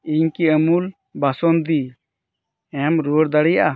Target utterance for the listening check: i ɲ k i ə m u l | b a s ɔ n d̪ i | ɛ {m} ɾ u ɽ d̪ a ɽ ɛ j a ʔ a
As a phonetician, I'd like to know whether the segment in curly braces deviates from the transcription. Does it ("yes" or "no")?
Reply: no